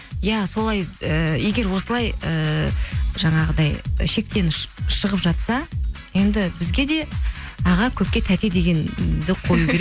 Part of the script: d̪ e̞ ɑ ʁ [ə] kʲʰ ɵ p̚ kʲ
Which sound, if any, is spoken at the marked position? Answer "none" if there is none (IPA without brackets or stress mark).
ɑ